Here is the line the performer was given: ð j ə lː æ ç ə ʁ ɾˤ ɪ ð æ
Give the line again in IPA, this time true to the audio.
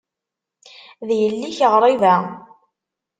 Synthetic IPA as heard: ð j ə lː i ç ə ʁ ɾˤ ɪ v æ